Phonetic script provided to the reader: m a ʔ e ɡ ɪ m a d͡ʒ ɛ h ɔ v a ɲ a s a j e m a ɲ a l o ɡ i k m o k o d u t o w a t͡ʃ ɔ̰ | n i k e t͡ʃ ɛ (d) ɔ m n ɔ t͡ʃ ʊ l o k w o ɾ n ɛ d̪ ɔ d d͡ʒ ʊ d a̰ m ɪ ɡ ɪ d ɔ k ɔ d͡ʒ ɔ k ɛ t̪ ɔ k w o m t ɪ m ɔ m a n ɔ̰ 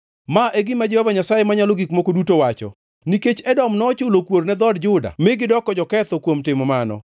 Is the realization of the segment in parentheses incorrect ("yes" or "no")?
no